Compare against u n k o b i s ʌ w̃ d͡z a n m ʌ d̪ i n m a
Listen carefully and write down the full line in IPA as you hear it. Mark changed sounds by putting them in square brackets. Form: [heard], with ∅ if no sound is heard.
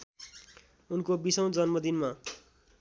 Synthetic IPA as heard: u n k o b i s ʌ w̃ d͡z [ʌ] n m ʌ d̪ i n m a